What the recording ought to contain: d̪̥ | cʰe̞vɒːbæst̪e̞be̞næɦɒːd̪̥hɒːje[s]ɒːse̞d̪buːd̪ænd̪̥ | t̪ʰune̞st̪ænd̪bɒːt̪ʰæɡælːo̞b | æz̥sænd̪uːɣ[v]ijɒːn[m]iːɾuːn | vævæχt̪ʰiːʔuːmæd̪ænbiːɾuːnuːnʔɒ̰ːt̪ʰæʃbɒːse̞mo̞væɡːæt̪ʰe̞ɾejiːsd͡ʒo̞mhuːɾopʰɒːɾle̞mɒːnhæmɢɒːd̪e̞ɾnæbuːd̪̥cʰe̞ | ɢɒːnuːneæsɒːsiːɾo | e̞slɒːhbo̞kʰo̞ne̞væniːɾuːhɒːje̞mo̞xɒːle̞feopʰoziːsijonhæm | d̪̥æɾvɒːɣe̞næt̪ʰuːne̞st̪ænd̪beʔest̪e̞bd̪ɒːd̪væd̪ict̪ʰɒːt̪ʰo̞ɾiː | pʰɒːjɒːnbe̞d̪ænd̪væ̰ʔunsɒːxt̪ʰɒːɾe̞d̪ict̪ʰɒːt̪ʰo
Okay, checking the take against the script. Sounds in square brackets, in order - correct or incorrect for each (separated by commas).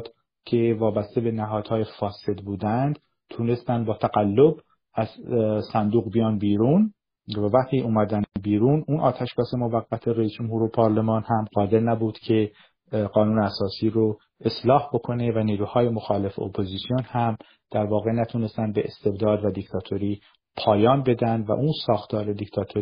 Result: incorrect, incorrect, incorrect